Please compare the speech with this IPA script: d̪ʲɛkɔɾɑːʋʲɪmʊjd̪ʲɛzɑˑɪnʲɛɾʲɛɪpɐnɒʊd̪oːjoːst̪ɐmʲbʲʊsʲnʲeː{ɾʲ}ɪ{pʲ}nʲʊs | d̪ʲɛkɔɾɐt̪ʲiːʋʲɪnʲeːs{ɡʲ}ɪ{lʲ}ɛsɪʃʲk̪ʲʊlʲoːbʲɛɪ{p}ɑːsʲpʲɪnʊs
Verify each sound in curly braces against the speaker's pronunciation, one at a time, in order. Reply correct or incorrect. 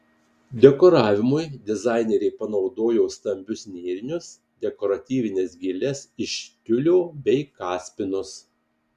correct, incorrect, correct, correct, incorrect

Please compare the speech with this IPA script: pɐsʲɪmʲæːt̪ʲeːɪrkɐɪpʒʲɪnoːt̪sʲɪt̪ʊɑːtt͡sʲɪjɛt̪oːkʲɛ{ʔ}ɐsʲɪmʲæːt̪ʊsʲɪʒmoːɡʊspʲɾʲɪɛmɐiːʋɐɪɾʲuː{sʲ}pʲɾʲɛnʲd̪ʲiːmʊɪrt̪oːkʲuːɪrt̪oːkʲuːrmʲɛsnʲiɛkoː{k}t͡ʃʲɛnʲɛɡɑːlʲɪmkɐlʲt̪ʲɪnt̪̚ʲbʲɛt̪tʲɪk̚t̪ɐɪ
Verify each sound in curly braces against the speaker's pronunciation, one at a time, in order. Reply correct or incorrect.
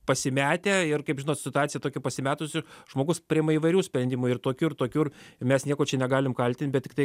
incorrect, correct, incorrect

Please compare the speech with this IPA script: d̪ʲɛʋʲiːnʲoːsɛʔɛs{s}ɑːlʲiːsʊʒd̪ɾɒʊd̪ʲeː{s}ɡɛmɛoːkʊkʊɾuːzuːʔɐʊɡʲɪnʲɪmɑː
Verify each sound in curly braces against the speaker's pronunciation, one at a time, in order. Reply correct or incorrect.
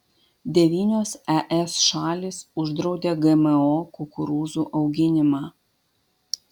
incorrect, incorrect

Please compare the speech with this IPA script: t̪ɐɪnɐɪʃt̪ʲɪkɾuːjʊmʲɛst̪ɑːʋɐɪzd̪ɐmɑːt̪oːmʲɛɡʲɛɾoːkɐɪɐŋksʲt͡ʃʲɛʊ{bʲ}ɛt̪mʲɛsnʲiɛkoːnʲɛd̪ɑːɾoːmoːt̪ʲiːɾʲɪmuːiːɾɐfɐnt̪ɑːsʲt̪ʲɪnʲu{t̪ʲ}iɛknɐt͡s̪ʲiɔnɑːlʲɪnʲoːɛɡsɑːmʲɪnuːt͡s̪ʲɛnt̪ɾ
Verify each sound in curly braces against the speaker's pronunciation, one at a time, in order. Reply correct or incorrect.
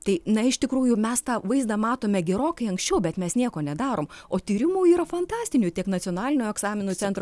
correct, correct

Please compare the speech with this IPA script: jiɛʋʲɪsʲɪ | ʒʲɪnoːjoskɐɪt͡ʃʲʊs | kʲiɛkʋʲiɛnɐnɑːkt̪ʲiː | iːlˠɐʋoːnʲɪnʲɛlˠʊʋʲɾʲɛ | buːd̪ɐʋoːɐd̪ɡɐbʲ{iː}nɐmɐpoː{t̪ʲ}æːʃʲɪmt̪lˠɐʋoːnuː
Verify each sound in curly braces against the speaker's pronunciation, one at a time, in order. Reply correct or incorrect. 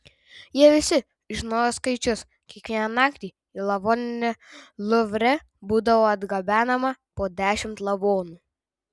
incorrect, incorrect

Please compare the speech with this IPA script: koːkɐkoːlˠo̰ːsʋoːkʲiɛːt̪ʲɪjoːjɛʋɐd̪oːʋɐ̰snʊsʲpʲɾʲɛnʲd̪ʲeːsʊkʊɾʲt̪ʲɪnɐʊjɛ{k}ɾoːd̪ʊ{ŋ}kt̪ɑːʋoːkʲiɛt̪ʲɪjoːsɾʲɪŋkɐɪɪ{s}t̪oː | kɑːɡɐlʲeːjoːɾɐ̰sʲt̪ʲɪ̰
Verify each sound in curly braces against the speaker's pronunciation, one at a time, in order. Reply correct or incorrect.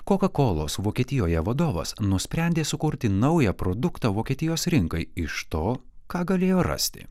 incorrect, incorrect, incorrect

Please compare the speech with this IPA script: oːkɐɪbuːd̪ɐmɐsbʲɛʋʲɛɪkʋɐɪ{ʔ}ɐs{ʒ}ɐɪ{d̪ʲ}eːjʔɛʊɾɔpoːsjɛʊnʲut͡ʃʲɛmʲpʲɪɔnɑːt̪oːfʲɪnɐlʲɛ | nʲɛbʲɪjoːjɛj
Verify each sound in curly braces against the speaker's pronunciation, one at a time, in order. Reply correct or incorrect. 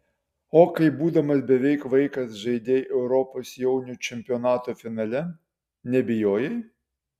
incorrect, correct, correct

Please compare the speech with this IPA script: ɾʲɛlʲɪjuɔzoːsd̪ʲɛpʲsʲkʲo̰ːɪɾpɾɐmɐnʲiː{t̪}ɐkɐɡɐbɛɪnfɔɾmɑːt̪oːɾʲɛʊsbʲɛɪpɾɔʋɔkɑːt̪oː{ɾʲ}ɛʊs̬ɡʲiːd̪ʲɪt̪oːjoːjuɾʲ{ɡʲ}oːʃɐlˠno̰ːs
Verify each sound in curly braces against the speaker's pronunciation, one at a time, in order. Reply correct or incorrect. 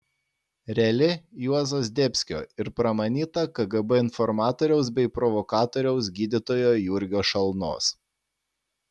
correct, correct, correct

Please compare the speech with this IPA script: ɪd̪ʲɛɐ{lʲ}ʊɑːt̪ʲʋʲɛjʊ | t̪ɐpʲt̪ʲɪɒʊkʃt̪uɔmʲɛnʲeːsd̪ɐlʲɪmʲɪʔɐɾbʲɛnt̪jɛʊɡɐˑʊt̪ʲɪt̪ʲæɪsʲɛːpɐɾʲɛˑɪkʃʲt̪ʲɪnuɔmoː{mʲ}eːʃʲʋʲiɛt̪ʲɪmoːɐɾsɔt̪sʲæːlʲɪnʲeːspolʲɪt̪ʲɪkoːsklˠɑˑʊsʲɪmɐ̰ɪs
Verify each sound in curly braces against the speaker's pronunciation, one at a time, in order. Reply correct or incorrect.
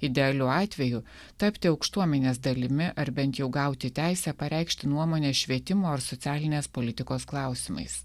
correct, incorrect

